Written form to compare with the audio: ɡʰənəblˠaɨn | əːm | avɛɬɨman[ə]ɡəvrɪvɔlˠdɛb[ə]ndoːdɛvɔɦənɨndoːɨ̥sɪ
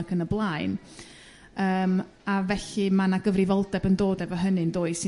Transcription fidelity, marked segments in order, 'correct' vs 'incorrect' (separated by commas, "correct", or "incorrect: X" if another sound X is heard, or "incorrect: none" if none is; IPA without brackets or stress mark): incorrect: a, correct